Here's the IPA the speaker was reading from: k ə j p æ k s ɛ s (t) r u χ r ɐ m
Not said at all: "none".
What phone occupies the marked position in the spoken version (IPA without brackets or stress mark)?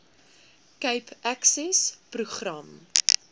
p